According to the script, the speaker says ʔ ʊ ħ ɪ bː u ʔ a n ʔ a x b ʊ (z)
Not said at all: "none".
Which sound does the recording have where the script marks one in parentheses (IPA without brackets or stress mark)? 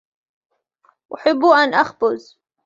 z